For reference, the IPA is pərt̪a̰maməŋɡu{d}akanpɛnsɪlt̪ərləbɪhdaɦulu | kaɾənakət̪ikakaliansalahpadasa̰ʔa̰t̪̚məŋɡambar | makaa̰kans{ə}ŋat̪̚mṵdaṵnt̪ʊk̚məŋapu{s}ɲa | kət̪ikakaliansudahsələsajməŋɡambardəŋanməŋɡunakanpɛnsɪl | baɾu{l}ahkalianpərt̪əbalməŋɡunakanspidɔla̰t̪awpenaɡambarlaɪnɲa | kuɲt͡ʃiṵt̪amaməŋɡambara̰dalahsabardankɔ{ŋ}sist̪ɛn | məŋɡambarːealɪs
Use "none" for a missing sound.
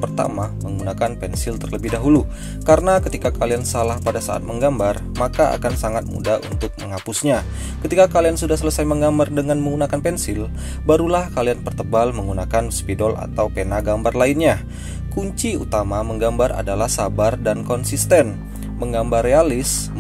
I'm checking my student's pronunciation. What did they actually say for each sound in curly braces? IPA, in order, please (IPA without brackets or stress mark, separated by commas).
n, a, s, l, n